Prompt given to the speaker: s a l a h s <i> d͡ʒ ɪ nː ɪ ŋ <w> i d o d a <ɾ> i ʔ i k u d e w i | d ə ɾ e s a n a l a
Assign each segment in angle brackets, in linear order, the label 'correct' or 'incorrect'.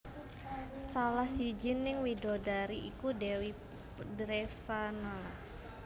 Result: correct, correct, correct

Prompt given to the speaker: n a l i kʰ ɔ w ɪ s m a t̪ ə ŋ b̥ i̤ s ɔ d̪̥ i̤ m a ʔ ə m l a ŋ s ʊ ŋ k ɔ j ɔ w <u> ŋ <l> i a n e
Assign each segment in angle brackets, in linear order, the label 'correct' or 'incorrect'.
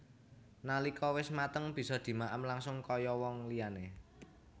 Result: incorrect, correct

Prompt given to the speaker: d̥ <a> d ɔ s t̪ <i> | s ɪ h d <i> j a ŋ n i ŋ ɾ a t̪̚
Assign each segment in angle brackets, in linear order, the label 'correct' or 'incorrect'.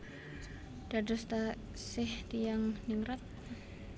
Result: correct, incorrect, correct

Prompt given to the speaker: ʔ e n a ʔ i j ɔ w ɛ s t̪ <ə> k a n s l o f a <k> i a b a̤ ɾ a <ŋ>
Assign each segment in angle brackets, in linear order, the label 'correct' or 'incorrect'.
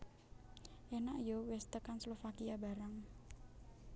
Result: correct, correct, correct

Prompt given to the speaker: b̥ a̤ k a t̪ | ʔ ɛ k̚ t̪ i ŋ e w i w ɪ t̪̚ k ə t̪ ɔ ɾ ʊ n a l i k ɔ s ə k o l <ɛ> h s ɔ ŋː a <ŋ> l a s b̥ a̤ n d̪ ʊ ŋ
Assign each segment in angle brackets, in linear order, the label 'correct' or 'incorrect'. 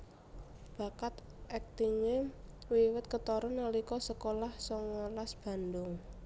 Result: incorrect, incorrect

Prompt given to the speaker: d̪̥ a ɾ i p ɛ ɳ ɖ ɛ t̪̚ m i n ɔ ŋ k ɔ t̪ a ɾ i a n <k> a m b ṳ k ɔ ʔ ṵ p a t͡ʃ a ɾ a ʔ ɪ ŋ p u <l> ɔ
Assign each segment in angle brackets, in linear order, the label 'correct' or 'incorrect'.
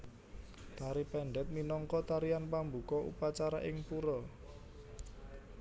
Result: incorrect, incorrect

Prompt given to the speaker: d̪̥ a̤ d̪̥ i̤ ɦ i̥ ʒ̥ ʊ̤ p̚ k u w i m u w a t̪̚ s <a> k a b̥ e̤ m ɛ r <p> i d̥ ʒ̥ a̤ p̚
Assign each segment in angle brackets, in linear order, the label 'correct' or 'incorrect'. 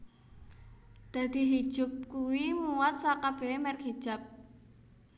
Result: correct, incorrect

